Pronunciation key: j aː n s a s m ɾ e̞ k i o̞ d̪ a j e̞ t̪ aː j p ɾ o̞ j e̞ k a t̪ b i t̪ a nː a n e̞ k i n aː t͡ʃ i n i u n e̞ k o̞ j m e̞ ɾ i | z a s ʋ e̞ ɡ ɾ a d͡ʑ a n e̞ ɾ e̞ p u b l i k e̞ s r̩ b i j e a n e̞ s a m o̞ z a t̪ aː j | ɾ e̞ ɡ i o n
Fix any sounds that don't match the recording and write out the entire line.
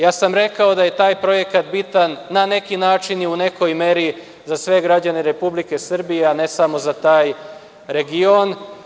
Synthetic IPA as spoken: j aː s a m ɾ e̞ k a o̞ d̪ a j e̞ t̪ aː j p ɾ o̞ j e̞ k a t̪ b i t̪ a nː a n e̞ k i n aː t͡ʃ i n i u n e̞ k o̞ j m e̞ ɾ i | z a s ʋ e̞ ɡ ɾ a d͡ʑ a n e̞ ɾ e̞ p u b l i k e̞ s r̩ b i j e a n e̞ s a m o̞ z a t̪ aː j | ɾ e̞ ɡ i o n